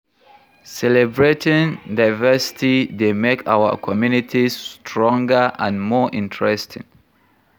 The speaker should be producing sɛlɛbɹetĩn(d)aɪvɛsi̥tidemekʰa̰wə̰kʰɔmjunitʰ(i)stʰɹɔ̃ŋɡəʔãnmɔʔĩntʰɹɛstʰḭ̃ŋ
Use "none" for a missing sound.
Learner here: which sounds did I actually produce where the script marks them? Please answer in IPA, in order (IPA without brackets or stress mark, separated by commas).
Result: d, i